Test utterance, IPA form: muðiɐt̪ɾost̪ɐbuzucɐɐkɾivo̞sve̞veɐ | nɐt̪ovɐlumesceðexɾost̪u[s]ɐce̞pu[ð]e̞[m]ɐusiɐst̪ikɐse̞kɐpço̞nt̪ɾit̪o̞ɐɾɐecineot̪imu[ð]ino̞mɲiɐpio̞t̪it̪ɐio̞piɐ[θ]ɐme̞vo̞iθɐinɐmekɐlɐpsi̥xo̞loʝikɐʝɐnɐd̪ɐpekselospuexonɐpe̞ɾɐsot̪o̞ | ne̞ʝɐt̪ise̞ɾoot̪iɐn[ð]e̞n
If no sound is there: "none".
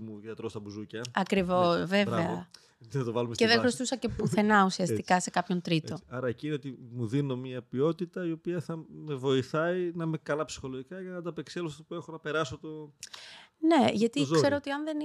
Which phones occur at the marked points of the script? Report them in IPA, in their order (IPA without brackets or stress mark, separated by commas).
s, θ, n, ð, θ, ð